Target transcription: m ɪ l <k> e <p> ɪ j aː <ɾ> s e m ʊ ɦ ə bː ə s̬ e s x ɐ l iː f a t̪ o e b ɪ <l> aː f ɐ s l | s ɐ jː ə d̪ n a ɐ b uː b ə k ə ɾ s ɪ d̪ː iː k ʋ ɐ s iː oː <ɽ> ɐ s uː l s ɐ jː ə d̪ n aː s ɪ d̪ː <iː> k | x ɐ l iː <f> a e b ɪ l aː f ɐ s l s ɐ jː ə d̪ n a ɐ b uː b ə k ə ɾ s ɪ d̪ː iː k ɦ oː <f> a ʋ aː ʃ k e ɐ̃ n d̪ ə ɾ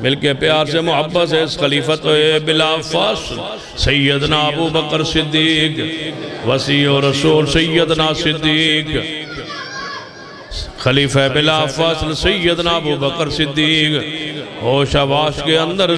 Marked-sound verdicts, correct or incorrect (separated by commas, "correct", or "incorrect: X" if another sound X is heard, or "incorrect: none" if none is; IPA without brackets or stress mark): correct, correct, correct, correct, incorrect: ɾ, correct, correct, incorrect: ʃ